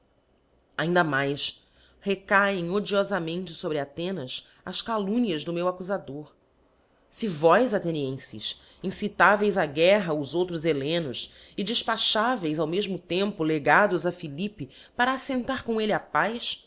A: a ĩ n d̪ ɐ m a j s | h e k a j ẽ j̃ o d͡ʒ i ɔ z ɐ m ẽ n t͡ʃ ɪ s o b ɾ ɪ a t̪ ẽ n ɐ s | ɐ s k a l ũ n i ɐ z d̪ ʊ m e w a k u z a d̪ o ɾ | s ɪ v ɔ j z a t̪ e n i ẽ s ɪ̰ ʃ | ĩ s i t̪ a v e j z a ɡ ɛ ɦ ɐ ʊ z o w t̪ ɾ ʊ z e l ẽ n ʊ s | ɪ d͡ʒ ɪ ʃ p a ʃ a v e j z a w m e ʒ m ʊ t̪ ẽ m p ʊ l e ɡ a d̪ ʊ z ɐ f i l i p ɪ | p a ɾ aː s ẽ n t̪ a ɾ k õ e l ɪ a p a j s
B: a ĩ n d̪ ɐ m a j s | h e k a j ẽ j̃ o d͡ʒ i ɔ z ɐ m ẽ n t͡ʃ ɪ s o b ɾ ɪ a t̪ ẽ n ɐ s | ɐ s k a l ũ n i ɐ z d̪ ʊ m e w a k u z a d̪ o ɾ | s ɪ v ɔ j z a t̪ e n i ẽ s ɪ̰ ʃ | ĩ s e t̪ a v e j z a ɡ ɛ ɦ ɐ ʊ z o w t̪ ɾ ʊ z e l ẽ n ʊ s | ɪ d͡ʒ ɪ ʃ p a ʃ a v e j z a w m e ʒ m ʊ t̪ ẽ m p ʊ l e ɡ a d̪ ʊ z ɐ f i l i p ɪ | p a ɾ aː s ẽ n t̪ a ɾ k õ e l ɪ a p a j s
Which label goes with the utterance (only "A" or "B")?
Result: A